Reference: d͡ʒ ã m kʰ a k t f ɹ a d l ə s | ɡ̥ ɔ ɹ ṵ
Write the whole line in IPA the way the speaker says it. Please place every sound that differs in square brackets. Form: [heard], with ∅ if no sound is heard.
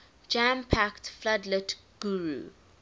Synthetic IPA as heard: d͡ʒ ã m [pʰ] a k t f [l] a d l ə [t] | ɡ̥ [u] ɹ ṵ